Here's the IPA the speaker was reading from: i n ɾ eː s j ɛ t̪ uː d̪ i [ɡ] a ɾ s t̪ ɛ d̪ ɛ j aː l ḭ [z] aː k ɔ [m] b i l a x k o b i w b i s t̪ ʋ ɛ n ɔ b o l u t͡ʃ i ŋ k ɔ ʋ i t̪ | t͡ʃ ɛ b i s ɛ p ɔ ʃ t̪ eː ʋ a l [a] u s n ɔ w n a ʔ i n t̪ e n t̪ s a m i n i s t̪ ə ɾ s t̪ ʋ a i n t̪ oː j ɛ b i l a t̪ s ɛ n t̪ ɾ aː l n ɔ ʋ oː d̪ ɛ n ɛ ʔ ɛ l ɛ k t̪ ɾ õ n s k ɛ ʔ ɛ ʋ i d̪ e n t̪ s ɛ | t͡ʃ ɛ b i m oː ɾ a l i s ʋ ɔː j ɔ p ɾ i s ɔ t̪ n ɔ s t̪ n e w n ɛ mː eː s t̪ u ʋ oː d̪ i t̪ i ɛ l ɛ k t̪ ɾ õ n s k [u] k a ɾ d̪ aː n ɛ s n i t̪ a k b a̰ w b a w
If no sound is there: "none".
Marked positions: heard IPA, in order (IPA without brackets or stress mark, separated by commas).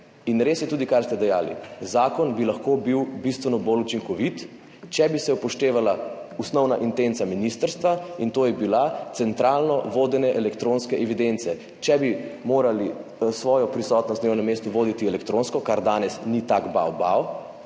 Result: k, z, n, a, ɔ